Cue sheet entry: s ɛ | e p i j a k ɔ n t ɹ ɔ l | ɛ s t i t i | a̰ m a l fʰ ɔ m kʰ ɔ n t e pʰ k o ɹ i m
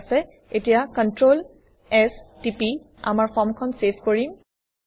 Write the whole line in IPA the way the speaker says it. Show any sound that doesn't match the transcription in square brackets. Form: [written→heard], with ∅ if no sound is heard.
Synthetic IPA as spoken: s ɛ | e [p→t] i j a k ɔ n t ɹ [ɔ→o] l | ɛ s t i [t→p] i | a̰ m a [l→ɹ] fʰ ɔ m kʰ ɔ n [t→s] e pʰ k o ɹ i m